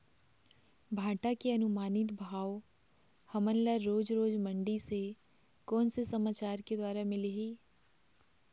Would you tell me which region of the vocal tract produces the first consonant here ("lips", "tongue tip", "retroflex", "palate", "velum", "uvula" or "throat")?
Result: lips